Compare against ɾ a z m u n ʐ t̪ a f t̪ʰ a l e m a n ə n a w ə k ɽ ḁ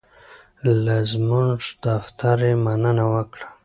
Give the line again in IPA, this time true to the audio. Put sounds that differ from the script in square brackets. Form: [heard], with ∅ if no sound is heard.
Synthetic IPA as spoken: [l] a z m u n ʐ [d̪] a f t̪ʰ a [ɾ] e m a n ə n a w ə k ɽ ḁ